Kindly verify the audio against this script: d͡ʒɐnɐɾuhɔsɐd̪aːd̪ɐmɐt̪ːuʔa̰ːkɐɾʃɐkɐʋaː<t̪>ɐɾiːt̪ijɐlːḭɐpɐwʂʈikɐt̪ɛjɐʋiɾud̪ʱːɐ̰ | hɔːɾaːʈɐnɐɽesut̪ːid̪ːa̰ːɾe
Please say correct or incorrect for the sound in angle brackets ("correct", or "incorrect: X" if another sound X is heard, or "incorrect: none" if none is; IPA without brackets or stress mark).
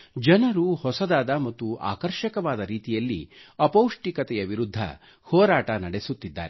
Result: incorrect: d̪